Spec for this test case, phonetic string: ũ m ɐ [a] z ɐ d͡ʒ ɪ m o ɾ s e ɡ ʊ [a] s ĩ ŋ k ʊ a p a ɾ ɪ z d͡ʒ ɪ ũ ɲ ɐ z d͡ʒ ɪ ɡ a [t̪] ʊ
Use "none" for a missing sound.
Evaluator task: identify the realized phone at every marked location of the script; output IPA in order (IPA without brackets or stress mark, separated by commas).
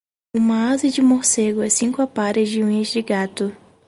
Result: a, ɛ, t̪